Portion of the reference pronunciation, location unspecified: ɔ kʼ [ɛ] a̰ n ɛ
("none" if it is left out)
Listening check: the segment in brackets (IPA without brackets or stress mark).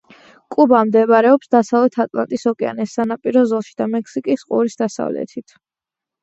ɛ